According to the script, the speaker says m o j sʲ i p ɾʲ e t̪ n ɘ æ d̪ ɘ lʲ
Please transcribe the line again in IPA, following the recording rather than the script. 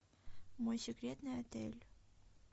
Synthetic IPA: m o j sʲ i k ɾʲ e t̪ n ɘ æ t̪ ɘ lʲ